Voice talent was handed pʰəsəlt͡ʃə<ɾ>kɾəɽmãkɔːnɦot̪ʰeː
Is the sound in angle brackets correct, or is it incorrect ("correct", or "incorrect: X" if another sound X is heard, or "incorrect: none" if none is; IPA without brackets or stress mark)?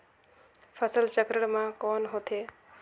incorrect: none